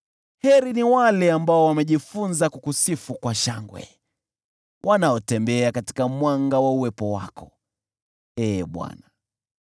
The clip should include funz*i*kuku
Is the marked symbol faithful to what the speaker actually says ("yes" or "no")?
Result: no